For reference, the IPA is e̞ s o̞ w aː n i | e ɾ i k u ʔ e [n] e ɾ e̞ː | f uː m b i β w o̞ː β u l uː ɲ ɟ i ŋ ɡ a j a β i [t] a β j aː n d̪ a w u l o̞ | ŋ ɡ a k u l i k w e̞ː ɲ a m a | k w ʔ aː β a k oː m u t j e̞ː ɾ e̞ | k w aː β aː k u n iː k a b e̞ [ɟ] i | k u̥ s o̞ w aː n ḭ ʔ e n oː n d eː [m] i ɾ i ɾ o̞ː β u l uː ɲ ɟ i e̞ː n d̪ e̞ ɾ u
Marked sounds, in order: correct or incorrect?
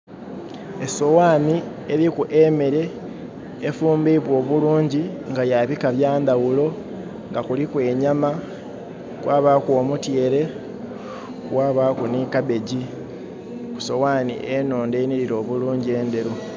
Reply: incorrect: m, incorrect: k, correct, incorrect: n

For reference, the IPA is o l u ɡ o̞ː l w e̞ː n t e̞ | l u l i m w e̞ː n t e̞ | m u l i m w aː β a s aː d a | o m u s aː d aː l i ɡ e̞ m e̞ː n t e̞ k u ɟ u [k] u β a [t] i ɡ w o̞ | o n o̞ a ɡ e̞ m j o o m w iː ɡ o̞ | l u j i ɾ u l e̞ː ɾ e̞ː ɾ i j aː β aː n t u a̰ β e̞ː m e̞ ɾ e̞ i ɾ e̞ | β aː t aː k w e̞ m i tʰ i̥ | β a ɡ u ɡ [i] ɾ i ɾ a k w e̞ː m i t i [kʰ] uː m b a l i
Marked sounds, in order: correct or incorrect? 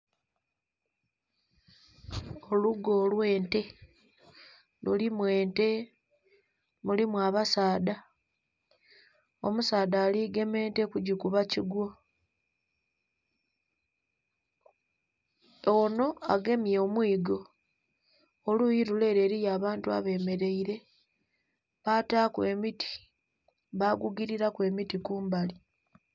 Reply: correct, incorrect: c, correct, incorrect: k

